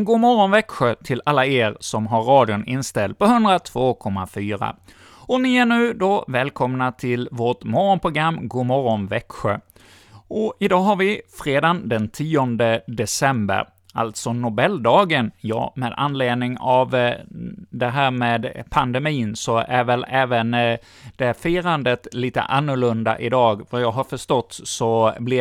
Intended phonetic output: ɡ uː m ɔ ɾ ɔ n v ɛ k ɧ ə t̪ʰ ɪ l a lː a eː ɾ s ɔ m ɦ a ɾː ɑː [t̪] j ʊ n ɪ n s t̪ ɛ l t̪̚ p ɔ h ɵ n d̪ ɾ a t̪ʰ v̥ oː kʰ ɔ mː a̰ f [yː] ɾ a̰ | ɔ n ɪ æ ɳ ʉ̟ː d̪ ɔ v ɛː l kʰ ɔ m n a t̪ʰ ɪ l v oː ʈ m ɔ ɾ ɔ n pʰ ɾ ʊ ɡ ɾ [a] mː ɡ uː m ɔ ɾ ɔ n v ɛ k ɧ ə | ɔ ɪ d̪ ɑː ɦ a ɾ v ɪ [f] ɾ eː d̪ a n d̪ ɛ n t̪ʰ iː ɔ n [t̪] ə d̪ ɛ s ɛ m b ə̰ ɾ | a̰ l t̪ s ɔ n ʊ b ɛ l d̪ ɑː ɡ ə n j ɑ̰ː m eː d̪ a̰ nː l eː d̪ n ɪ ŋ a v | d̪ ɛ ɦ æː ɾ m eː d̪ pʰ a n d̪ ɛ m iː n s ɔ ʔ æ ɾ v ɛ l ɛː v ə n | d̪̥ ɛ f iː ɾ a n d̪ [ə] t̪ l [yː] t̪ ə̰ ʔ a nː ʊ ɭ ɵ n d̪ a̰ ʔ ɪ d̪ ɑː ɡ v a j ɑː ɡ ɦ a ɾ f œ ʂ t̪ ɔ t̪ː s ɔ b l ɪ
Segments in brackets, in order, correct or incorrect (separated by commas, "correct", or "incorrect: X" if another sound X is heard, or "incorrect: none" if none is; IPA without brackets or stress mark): incorrect: d̪, correct, correct, correct, incorrect: d̪, correct, incorrect: iː